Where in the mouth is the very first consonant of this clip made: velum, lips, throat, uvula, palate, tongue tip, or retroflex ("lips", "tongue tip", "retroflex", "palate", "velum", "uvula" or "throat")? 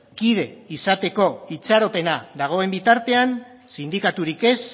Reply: velum